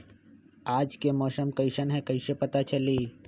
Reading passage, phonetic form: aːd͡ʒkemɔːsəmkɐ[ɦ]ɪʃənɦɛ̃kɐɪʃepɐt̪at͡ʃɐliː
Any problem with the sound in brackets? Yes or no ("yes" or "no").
yes